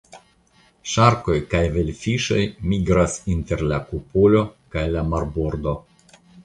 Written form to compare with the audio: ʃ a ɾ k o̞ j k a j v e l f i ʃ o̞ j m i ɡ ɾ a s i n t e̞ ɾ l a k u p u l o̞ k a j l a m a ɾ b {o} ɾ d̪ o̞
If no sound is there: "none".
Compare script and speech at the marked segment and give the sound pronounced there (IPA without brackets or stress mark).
o